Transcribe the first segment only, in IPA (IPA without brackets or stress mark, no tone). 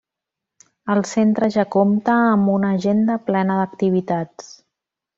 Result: ə